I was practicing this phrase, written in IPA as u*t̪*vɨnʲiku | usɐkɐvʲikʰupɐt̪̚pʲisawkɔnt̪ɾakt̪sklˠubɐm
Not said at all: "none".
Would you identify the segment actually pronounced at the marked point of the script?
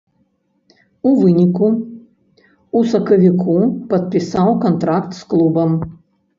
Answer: none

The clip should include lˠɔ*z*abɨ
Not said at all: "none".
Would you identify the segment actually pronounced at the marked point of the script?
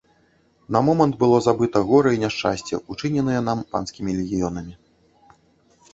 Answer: z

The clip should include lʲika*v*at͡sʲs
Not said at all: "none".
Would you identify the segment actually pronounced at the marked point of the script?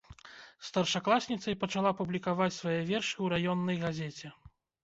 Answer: v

